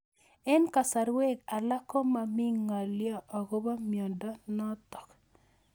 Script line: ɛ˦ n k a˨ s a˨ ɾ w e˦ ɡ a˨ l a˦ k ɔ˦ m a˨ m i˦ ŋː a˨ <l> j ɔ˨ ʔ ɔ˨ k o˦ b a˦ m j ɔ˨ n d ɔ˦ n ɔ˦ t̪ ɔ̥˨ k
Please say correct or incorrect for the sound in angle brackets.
correct